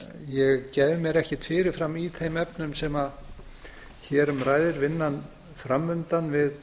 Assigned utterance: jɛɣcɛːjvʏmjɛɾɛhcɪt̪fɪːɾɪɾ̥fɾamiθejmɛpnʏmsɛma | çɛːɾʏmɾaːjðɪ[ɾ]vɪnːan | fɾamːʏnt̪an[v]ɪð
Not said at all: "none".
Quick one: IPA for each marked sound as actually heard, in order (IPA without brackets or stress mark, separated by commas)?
ɾ, v